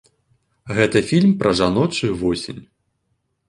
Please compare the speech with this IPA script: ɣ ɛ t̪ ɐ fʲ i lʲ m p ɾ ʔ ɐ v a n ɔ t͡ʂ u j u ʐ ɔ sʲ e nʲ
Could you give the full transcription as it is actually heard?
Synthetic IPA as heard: ɣ ɛ t̪ ɐ fʲ i lʲ m p ɾ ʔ ɐ ʐ a n ɔ t͡ʂ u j u v ɔ sʲ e nʲ

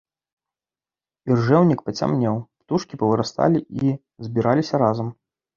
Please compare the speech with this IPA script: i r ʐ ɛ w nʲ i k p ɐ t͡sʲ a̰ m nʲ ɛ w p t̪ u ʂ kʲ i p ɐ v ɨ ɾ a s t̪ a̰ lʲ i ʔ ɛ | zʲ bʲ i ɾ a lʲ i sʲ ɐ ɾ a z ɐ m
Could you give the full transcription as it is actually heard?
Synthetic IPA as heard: i r ʐ ɛ w nʲ i k p ɐ t͡sʲ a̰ m nʲ ɛ w p t̪ u ʂ kʲ i p ɐ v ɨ ɾ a s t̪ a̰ lʲ i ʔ i | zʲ bʲ i ɾ a lʲ i sʲ ɐ ɾ a z ɐ m

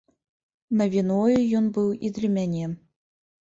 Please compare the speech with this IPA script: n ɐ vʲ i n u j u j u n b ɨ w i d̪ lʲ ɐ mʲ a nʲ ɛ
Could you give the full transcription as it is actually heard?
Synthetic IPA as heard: n ɐ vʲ i n ɔ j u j ɔ n b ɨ w i d̪ lʲ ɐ mʲ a nʲ ɛ

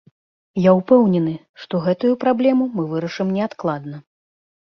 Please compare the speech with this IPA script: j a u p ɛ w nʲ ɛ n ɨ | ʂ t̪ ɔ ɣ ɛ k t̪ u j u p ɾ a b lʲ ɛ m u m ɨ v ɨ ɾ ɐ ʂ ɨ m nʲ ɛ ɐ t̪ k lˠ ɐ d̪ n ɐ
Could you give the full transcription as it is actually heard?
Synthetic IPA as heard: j a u p ɛ w nʲ ɛ n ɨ | ʂ t̪ ɔ ɣ ɛ t̪ u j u p ɾ a b lʲ ɛ m u m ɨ v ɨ ɾ ɐ ʂ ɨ m nʲ ɛ a t̪ k lˠ a d̪ n ɐ

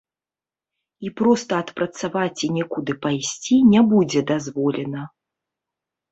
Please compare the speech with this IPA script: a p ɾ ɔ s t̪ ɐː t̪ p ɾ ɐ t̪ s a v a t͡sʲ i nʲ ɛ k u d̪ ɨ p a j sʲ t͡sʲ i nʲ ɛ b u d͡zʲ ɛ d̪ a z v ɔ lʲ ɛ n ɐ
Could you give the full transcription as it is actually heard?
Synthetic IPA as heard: i p ɾ ɔ s t̪ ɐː t̪ p ɾ ɐ t̪ s a v a t͡sʲ i nʲ ɛ k u d̪ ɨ p a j sʲ t͡sʲ i nʲ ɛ b u d͡zʲ ɛ d̪ a z v ɔ lʲ ɛ n ɐ

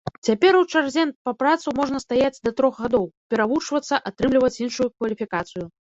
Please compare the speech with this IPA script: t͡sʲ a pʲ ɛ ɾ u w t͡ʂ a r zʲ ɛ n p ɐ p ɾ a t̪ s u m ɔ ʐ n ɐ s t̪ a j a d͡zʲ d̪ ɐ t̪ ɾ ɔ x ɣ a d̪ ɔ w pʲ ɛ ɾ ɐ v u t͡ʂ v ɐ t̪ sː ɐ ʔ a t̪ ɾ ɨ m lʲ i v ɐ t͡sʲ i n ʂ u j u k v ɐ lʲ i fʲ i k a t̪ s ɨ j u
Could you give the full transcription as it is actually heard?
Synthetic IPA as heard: t͡sʲ a pʲ ɛ ɾ u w t͡ʂ a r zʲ ɛ n p ɐ p ɾ a t̪ s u m ɔ ʐ n ɐ s t̪ a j a d͡zʲ d̪ ɐ t̪ ɾ ɔ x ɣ a d̪ ɔ w pʲ ɛ ɾ a v u t͡ʂ v ɐ t̪ sː ɐ ʔ a t̪ ɾ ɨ m lʲ i v ɐ t͡sʲ i n ʂ u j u k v ɐ lʲ i fʲ i k a t̪ s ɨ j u

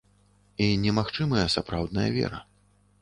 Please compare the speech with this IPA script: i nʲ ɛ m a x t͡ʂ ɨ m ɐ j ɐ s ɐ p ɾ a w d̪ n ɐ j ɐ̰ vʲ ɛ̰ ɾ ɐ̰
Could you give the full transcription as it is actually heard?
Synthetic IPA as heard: i nʲ ɛ m a x t͡ʂ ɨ m ɐ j ɐ s a p ɾ a w d̪ n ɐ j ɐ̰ vʲ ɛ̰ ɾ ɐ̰

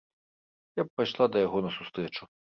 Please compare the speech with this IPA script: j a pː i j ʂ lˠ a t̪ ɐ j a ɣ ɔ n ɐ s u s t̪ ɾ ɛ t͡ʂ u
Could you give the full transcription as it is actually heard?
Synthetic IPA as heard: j a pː a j ʂ lˠ a d̪ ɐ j a ɣ ɔ n ɐ s u s t̪ ɾ ɛ t͡ʂ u

